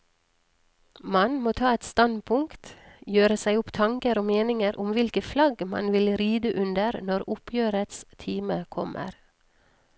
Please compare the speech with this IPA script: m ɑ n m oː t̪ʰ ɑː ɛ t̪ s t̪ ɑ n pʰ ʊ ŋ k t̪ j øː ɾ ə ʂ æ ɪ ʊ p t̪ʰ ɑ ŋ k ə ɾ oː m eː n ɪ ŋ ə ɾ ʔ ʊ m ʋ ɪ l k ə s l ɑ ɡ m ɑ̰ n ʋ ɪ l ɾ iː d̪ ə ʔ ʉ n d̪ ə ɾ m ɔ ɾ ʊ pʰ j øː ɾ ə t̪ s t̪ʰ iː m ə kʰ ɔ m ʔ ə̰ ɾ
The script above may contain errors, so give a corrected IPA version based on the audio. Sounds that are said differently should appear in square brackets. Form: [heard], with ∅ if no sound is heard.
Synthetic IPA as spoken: m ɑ n m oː t̪ʰ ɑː ɛ t̪ s t̪ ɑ n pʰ ʊ ŋ k t̪ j øː ɾ ə [s] æ ɪ ʊ p t̪ʰ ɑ ŋ k ə ɾ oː m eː n ɪ ŋ ə ɾ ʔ ʊ m ʋ ɪ l k ə [f] l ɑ ɡ m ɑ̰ n ʋ ɪ l ɾ iː d̪ ə ʔ ʉ n d̪ ə ɾ [n] ɔ ɾ ʊ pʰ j øː ɾ ə t̪ s t̪ʰ iː m ə kʰ ɔ m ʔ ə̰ ɾ